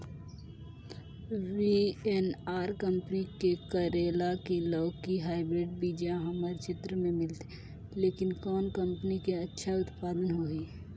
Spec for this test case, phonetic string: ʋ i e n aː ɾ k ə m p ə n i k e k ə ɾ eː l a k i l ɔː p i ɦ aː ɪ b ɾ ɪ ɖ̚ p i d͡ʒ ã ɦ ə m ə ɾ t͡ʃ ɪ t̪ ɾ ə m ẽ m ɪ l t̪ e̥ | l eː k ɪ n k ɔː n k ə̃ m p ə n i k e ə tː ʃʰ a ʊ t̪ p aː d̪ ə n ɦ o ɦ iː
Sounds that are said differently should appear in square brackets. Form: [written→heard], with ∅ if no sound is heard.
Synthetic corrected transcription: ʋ i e n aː ɾ k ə m p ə n i k e k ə ɾ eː l a k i l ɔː [p→k] i ɦ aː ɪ b ɾ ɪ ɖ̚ [p→b] i d͡ʒ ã ɦ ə m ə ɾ t͡ʃ ɪ t̪ ɾ ə m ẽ m ɪ l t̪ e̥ | l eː k ɪ n k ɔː n k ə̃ m p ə n i k e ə tː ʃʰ a ʊ t̪ p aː d̪ ə n ɦ o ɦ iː

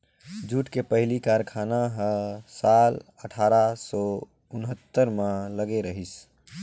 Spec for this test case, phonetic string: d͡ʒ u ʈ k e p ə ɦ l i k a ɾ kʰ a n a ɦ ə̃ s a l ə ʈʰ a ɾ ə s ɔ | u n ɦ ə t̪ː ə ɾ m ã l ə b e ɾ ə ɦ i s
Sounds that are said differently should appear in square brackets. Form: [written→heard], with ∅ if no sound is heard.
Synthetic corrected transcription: d͡ʒ u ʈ k e p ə ɦ l i k a ɾ kʰ a n a ɦ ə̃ s a l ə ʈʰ a ɾ [ə→a] s ɔ | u n ɦ ə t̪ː ə ɾ m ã l ə [b→ɡ] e ɾ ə ɦ i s

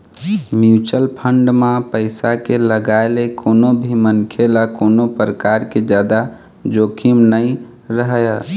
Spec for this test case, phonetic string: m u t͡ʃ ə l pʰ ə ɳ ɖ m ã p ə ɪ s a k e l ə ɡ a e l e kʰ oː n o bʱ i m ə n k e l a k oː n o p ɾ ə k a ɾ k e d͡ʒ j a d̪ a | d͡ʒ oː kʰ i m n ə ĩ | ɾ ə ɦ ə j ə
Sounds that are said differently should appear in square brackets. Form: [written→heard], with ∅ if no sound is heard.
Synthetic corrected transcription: m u t͡ʃ ə l pʰ ə ɳ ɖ m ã p ə ɪ s a k e l ə ɡ a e l e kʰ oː n o bʱ i m ə n [k→kʰ] e l a k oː n o p ɾ ə k a ɾ k e d͡ʒ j a d̪ a | d͡ʒ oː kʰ i m n ə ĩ | ɾ ə ɦ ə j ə

